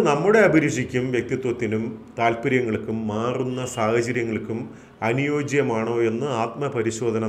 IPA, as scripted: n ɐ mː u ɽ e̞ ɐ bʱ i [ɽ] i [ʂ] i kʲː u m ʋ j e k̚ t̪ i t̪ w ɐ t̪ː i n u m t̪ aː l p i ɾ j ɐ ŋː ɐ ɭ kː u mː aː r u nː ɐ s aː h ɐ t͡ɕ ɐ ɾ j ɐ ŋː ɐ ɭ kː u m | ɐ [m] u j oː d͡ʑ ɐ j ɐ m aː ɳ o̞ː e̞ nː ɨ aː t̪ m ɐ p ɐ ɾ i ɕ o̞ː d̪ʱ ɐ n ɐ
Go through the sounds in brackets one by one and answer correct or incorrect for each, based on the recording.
incorrect: ɾ, correct, incorrect: n

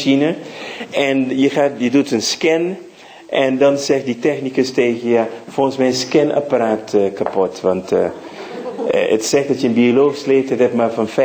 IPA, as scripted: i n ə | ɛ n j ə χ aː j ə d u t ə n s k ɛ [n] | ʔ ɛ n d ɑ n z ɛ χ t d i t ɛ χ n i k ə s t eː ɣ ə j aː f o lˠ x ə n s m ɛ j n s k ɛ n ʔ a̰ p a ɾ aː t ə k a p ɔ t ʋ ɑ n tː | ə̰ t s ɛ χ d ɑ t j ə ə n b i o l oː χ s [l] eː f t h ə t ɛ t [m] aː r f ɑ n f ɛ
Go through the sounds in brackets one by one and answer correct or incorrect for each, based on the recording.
correct, correct, correct

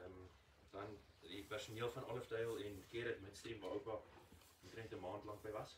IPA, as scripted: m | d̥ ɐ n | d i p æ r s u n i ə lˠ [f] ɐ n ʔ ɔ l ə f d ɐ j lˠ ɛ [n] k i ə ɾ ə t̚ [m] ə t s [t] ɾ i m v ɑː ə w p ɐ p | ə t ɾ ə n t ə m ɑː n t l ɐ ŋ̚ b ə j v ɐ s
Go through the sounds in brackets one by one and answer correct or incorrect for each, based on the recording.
correct, correct, correct, correct

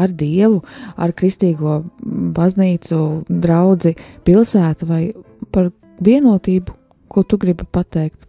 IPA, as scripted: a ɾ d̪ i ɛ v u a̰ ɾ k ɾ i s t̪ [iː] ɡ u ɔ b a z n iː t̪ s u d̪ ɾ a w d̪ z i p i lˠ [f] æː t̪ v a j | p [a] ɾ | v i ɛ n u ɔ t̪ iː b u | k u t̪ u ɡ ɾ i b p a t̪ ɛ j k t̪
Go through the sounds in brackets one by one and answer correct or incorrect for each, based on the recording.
correct, incorrect: s, correct

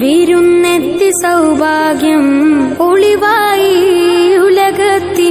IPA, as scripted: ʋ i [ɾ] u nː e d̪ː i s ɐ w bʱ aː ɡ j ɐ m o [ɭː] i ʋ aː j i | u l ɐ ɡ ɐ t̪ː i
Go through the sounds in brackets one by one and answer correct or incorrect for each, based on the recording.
correct, incorrect: ɭ

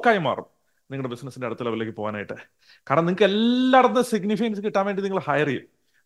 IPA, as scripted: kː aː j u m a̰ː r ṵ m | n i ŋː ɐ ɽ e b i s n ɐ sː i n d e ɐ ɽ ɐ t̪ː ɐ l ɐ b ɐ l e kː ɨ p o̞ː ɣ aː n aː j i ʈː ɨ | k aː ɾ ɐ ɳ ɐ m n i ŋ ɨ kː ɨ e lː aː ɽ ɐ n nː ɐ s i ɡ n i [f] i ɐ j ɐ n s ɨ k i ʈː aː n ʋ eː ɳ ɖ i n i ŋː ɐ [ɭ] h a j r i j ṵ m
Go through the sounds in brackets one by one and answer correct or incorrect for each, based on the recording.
correct, correct

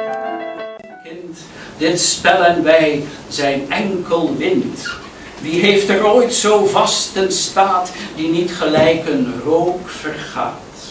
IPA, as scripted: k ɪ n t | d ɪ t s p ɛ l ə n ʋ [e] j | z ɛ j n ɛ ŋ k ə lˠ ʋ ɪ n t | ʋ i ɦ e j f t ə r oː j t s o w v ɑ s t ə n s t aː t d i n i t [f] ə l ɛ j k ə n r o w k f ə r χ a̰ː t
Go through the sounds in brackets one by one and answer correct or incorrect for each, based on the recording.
incorrect: ɛ, incorrect: χ

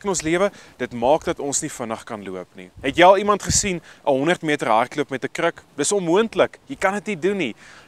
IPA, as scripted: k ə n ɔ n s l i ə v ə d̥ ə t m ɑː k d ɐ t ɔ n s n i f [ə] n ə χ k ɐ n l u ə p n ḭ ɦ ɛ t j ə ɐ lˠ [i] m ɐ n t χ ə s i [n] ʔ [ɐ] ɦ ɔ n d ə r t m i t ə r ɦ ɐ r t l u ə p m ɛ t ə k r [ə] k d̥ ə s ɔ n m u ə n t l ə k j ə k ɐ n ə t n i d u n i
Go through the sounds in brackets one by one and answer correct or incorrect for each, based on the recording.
correct, correct, correct, incorrect: ə, correct

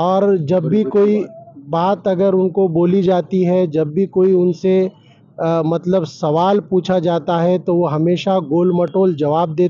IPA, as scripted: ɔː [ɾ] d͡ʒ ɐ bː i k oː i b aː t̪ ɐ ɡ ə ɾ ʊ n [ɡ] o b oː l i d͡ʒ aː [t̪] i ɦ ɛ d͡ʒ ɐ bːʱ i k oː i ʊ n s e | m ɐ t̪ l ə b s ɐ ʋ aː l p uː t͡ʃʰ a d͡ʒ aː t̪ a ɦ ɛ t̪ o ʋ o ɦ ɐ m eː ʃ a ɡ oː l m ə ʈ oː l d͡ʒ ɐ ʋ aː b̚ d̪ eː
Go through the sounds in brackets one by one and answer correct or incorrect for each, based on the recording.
correct, incorrect: k, correct

